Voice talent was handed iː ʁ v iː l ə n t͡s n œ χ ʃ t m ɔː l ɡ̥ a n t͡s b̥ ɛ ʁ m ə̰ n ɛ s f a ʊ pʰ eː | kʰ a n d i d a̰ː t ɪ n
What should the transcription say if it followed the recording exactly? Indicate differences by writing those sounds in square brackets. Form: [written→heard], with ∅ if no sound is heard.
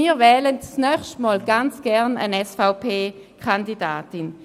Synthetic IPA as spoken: iː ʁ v [iː→ɛː] l ə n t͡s n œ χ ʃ t m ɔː l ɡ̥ a n t͡s [b̥→ɡ̥] ɛ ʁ [m→n] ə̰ n ɛ s f a ʊ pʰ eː | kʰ a n d i d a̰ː t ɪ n